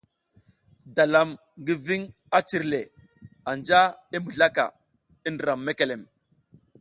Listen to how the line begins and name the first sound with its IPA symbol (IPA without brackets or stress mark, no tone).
d